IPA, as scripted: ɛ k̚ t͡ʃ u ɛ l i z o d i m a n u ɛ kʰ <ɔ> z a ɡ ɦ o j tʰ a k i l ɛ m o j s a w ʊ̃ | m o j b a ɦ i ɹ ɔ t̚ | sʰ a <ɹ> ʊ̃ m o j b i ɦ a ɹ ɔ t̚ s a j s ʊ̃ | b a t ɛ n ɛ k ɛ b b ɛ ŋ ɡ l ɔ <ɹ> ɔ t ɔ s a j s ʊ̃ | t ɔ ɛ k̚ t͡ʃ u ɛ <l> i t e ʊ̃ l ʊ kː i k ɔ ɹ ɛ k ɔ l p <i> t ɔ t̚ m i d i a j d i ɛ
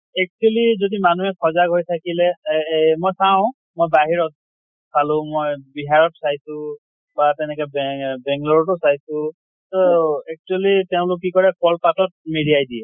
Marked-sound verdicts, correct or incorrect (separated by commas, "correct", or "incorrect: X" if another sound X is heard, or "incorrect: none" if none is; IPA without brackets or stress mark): correct, incorrect: l, correct, correct, incorrect: a